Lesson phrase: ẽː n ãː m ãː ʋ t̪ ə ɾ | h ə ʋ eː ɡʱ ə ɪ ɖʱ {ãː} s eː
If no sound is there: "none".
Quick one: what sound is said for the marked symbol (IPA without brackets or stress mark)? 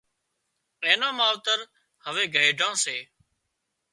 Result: ãː